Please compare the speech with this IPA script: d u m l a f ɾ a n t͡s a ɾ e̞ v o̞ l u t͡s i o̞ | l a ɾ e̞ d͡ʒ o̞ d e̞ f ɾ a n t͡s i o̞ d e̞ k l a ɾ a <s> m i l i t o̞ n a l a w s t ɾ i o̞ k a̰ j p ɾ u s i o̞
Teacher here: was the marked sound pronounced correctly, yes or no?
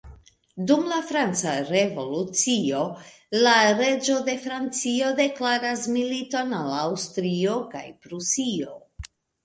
yes